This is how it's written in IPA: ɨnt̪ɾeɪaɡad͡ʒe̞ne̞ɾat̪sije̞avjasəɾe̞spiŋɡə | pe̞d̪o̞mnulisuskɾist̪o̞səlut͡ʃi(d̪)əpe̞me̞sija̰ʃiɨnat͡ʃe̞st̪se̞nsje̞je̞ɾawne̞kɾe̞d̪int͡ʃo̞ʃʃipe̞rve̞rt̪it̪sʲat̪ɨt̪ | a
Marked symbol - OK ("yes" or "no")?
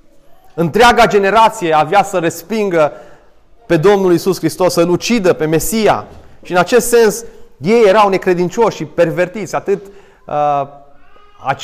yes